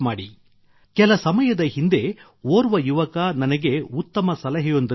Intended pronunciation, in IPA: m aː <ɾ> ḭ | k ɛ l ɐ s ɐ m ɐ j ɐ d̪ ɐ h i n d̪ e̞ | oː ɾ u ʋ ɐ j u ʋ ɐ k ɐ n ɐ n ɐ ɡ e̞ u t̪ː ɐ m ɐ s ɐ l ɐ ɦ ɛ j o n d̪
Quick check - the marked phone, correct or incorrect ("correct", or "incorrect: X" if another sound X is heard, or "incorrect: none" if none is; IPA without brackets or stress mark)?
incorrect: ɽ